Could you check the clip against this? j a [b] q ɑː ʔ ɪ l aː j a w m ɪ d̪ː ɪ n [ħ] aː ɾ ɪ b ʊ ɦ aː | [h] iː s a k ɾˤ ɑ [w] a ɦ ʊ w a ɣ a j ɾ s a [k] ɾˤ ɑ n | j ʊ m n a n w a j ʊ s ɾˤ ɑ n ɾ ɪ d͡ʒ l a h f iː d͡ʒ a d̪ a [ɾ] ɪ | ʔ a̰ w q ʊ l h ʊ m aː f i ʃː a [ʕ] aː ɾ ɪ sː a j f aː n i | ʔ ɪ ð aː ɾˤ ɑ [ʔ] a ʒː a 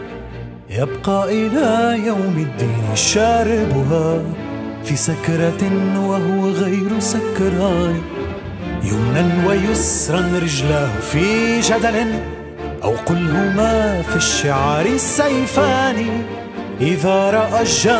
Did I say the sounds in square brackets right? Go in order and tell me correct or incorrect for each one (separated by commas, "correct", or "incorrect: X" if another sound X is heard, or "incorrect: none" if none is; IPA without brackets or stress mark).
correct, incorrect: ʃ, incorrect: f, correct, correct, incorrect: l, correct, correct